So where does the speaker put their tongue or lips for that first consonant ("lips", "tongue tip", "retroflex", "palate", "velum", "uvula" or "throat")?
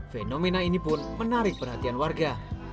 lips